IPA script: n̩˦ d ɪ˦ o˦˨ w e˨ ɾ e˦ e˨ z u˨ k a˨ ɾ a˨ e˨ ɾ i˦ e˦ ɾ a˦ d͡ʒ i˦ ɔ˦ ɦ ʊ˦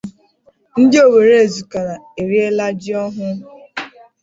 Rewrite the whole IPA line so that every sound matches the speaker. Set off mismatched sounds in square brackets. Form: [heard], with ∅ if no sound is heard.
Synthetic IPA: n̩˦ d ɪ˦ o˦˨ w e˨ ɾ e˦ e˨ z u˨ k a˨ ɾ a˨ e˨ ɾ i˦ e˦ [l] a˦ d͡ʒ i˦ ɔ˦ ɦ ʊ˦